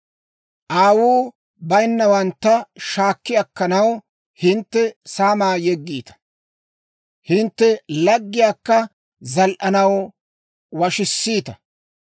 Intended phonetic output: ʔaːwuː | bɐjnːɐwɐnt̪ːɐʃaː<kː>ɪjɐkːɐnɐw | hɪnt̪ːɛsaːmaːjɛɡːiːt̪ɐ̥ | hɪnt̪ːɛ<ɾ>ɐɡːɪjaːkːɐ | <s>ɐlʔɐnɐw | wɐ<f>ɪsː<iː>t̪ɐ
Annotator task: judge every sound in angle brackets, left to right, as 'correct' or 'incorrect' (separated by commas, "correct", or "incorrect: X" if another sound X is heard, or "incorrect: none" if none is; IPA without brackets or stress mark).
correct, incorrect: l, incorrect: z, incorrect: ʃ, correct